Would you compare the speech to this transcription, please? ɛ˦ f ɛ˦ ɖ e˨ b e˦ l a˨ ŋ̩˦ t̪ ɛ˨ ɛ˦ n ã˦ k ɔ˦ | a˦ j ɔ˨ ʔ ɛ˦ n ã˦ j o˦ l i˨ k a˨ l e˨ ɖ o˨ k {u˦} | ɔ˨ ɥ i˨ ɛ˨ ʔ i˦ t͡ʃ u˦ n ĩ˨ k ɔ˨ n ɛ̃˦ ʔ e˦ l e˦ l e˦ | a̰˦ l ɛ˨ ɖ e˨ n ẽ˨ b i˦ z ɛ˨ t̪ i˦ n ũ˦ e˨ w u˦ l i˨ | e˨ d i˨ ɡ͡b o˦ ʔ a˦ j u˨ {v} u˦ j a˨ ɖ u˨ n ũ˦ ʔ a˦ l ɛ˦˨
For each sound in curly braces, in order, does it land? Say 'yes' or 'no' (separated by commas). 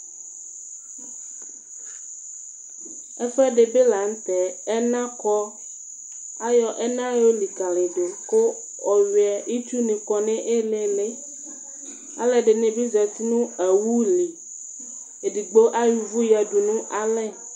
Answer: no, yes